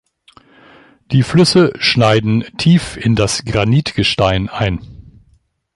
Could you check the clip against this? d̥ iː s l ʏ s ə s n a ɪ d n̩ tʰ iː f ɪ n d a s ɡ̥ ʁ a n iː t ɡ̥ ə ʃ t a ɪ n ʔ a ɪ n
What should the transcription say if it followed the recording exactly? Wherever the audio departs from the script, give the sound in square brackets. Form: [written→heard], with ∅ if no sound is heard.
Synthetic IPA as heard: d̥ iː [s→f] l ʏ s ə [s→ʃ] n a ɪ d n̩ tʰ iː f ɪ n d a s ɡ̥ ʁ a n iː t ɡ̥ ə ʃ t a ɪ n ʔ a ɪ n

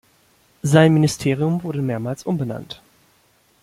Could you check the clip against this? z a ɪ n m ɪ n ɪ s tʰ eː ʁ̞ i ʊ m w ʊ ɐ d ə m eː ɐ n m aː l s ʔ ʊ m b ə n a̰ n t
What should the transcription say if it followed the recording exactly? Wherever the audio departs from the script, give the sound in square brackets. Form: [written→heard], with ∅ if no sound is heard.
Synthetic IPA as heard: z a ɪ n m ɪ n ɪ s tʰ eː ʁ̞ i ʊ m [w→v] ʊ ɐ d ə m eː ɐ [n→∅] m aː l s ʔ ʊ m b ə n a̰ n t

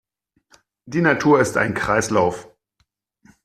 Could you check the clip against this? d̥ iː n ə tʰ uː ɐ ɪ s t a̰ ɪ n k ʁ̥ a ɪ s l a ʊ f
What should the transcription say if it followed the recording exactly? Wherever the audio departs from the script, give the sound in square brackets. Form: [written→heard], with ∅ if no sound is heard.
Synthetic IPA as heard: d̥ iː n [ə→a] tʰ uː ɐ ɪ s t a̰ ɪ n k ʁ̥ a ɪ s l a ʊ f

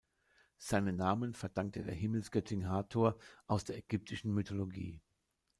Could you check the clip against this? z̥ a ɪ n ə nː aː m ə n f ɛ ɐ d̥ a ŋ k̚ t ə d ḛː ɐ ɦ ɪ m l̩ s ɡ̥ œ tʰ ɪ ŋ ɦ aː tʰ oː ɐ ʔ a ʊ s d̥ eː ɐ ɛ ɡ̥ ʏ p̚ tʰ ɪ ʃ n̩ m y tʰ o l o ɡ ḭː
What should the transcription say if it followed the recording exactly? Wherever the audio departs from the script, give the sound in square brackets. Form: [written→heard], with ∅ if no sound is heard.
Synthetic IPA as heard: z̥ a ɪ n ə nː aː m ə n f ɛ ɐ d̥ a ŋ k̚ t ə d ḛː ɐ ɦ ɪ m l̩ s ɡ̥ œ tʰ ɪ ŋ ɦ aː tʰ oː ɐ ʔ a ʊ s d̥ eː ɐ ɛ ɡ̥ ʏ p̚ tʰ ɪ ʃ n̩ m y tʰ o l o ɡ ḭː

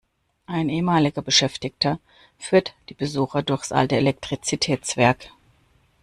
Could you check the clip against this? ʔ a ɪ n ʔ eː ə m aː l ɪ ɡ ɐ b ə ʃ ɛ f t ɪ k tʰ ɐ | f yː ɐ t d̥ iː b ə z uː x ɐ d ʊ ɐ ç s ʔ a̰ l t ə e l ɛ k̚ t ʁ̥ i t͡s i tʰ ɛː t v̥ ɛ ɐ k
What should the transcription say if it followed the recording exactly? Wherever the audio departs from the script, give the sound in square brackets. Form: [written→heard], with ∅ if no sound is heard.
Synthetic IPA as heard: ʔ a ɪ n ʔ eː ə m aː l ɪ ɡ ɐ b ə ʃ ɛ f t ɪ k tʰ ɐ | f yː ɐ t d̥ iː b ə z uː x ɐ d ʊ ɐ ç s ʔ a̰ l t ə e l ɛ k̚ t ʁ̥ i t͡s i tʰ ɛː [t→t͡s] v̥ ɛ ɐ k

